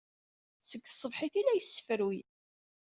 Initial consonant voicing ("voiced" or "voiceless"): voiceless